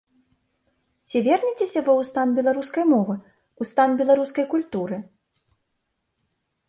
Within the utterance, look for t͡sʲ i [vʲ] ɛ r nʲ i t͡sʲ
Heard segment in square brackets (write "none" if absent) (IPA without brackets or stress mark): vʲ